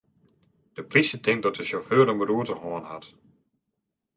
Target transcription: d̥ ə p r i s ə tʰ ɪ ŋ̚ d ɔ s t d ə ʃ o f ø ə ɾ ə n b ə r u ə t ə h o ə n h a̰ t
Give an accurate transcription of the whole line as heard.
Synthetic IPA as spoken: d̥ ə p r i s ə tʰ ɪ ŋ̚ d ɔ t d ə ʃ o f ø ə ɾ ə m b ə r u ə t ə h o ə n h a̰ t